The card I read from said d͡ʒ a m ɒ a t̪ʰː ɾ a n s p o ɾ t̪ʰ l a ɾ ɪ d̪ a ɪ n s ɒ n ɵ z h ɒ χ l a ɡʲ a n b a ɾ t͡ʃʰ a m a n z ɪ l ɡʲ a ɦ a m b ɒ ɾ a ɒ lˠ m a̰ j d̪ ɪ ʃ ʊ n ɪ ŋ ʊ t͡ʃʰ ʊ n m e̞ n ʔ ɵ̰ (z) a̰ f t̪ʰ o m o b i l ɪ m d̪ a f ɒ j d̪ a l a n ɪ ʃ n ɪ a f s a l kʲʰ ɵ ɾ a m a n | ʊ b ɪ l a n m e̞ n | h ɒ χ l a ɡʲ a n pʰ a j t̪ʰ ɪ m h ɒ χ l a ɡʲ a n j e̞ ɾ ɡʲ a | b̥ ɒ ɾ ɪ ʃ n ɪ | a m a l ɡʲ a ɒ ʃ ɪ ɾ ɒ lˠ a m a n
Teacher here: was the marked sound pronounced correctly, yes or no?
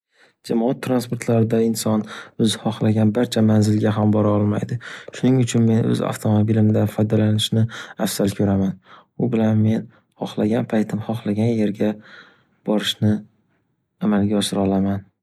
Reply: yes